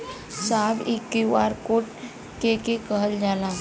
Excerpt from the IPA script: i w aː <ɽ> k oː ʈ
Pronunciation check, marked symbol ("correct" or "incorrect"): incorrect